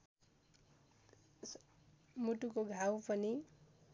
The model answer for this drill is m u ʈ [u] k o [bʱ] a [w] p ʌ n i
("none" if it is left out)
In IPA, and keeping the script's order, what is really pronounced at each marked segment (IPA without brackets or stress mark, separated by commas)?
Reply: u, ɡʱ, w